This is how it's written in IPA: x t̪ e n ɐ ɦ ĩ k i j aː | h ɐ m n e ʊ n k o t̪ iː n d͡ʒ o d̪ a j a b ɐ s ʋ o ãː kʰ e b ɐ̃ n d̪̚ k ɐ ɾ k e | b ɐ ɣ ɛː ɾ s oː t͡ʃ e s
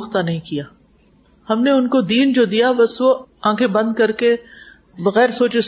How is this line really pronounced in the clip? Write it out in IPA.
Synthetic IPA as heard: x t̪ a n ɐ ɦ ĩ k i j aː | h ɐ m n e ʊ n k o d̪ iː n d͡ʒ o d̪ i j a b ɐ s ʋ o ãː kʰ e b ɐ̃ n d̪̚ k ɐ ɾ k e | b ɐ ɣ ɛː ɾ s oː t͡ʃ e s